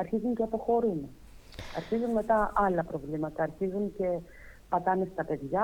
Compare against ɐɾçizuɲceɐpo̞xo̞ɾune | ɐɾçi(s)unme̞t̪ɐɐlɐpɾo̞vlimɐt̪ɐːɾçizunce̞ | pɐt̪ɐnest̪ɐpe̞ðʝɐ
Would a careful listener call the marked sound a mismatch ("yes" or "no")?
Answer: yes